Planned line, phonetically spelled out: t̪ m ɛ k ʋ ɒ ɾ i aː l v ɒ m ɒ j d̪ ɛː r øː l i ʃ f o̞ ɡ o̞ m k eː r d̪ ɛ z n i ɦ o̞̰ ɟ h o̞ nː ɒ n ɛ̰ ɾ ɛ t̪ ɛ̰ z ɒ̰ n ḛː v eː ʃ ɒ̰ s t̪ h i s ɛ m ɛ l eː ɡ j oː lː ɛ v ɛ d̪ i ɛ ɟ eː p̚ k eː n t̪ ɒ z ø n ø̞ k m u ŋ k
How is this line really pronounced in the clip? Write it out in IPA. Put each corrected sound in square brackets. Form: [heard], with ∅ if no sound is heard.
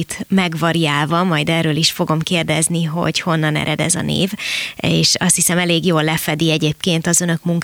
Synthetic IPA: t̪ m ɛ [ɡ] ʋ ɒ ɾ i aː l v ɒ m ɒ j d̪ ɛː r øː l i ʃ f o̞ ɡ o̞ m k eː r d̪ ɛ z n i ɦ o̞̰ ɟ h o̞ nː ɒ n ɛ̰ ɾ ɛ [d̪] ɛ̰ z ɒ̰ n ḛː v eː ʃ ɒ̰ s t̪ h i s ɛ m ɛ l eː ɡ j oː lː ɛ [f] ɛ d̪ i ɛ ɟ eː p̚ k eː n t̪ ɒ z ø n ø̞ k m u ŋ k